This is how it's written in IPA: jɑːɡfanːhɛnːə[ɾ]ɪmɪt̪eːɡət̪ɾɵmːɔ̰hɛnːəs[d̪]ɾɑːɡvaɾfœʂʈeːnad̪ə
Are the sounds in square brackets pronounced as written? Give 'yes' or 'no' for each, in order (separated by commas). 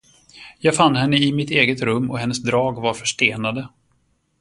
no, yes